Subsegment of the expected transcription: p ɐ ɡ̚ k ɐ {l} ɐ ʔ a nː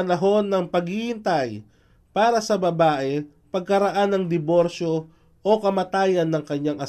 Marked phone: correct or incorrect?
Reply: incorrect